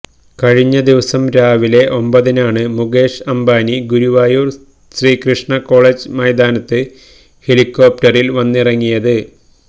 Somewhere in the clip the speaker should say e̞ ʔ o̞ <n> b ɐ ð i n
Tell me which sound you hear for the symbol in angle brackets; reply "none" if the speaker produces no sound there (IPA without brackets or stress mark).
m